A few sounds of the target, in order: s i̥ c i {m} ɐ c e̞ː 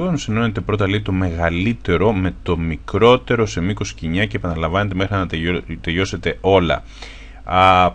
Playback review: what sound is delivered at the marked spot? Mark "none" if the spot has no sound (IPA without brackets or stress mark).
ɲ